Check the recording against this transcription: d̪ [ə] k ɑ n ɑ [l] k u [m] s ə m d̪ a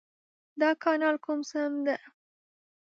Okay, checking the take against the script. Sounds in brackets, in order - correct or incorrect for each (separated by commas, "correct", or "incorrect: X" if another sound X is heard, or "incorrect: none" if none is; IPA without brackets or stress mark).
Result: incorrect: ɑ, correct, correct